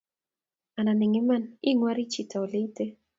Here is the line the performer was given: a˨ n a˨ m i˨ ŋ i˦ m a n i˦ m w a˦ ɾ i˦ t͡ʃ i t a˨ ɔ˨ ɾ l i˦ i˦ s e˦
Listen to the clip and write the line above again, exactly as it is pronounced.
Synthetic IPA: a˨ n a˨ n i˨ ŋ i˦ m a n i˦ ŋ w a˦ ɾ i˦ t͡ʃ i t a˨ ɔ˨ l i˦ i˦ t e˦